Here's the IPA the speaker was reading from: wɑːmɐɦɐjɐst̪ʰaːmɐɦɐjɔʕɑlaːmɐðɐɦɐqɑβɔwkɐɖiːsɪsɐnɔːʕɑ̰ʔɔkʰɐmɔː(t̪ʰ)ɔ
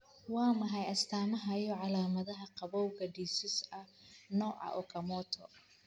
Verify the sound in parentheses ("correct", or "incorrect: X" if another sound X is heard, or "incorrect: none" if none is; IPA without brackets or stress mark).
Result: correct